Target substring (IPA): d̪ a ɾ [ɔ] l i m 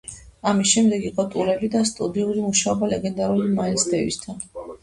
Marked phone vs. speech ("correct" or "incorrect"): incorrect